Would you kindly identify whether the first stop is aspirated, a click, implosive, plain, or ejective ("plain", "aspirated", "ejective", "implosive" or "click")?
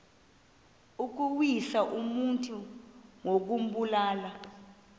plain